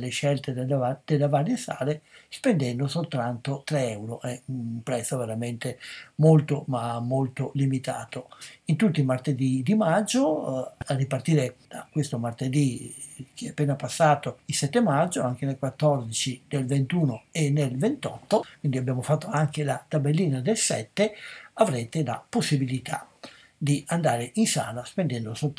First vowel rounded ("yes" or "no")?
no